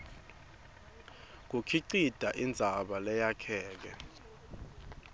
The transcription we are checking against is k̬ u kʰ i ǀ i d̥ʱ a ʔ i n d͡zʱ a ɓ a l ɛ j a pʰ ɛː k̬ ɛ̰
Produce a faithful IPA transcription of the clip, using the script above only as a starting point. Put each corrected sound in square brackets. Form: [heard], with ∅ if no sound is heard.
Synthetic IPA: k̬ u kʰ i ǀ i d̥ʱ a ʔ i n d͡zʱ a ɓ a l ɛ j a [kʰ] ɛː k̬ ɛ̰